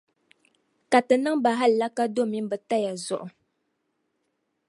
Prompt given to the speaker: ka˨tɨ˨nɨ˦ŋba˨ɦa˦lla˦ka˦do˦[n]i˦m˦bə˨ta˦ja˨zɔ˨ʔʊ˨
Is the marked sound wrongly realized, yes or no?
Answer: yes